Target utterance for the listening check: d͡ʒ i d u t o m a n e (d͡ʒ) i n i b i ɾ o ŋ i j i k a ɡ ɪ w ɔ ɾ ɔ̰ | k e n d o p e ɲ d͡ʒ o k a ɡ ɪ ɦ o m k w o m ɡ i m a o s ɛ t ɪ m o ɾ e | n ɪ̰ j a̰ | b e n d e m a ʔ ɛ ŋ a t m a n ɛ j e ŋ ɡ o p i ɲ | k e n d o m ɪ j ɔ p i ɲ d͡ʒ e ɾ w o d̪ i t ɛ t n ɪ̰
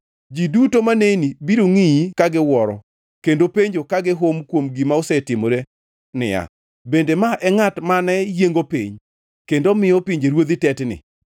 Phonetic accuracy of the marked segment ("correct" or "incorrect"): incorrect